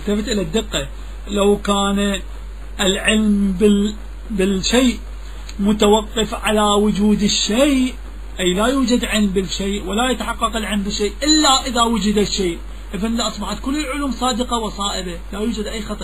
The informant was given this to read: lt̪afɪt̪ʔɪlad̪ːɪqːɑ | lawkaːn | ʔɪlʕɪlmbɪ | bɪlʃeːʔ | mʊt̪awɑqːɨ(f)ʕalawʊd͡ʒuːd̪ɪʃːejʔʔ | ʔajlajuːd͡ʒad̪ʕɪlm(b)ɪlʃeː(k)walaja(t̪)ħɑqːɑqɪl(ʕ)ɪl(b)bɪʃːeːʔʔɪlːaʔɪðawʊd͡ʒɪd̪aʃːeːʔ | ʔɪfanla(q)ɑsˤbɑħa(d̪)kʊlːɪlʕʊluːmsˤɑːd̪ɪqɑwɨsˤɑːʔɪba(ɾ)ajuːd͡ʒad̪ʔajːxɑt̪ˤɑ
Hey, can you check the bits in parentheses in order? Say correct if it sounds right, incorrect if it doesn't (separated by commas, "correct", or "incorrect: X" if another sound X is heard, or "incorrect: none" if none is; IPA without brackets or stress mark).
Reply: correct, correct, incorrect: ʔ, correct, correct, incorrect: m, incorrect: ʔ, incorrect: t̪, incorrect: l